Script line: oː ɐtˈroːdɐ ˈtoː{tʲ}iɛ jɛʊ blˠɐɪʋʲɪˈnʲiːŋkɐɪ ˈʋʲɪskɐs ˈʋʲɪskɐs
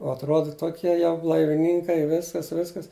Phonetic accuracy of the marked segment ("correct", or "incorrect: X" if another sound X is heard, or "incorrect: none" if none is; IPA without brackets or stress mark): incorrect: kʲ